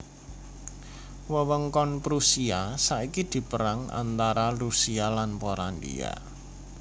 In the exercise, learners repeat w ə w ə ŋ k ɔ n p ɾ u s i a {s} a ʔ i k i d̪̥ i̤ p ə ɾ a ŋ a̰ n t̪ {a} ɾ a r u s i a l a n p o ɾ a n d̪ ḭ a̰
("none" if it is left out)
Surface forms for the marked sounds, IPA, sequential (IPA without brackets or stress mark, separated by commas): s, a